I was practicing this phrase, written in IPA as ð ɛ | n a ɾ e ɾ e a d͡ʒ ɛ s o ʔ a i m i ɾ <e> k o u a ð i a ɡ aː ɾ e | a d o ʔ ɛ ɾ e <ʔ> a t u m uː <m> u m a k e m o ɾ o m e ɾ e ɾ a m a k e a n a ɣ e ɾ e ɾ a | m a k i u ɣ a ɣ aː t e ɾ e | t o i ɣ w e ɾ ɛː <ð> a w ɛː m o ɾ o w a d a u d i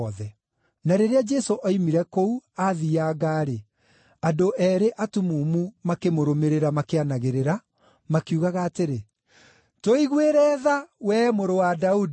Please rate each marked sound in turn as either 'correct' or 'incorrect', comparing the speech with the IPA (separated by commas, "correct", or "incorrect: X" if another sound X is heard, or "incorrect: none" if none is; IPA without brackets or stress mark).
incorrect: ɛ, correct, correct, correct